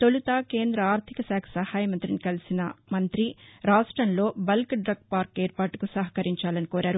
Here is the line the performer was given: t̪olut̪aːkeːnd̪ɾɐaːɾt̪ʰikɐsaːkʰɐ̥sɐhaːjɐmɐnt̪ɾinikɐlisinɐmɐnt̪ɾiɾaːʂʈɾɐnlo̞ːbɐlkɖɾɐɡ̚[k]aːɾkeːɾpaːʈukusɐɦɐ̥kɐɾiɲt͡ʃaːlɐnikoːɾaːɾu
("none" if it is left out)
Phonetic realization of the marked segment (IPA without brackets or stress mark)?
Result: p